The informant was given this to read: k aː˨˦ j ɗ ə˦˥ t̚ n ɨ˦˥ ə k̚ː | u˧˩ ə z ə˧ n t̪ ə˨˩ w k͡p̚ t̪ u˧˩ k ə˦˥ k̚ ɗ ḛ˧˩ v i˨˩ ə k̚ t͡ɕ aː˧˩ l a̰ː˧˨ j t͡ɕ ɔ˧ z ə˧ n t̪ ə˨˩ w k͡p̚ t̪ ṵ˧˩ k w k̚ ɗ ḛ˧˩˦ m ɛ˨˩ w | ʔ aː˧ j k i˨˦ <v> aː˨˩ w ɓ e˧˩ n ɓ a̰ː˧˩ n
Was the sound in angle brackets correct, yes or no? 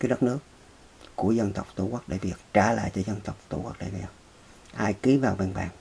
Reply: yes